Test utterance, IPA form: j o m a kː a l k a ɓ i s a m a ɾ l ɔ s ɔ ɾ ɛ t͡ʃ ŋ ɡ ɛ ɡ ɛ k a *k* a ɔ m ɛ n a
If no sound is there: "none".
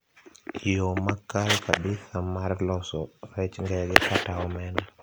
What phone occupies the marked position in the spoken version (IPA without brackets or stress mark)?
t